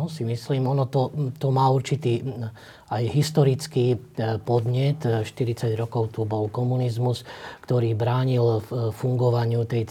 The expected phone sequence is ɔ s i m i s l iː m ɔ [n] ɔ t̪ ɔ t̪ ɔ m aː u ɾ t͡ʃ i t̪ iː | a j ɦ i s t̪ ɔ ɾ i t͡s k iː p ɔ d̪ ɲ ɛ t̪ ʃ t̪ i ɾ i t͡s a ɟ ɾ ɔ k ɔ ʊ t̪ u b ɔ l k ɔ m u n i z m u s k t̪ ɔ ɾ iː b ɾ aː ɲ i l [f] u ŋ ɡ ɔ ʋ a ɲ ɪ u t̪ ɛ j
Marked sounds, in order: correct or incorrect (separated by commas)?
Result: correct, correct